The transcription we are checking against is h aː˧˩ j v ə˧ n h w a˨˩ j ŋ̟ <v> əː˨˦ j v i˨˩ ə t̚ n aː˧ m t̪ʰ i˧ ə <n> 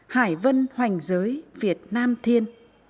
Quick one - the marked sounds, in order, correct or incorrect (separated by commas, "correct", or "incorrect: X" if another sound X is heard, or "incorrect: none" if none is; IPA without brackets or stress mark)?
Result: incorrect: z, correct